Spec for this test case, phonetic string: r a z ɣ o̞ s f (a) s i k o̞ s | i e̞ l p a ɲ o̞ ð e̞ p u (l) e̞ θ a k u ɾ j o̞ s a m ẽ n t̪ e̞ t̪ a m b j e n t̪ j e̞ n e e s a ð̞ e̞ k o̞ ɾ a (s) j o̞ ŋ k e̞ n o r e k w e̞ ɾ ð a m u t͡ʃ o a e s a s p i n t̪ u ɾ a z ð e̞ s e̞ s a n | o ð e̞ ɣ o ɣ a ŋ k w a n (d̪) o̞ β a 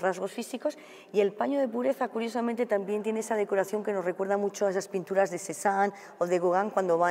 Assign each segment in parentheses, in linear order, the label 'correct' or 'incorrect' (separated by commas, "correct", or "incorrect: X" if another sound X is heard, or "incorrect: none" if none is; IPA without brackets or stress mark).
incorrect: i, incorrect: ɾ, incorrect: θ, correct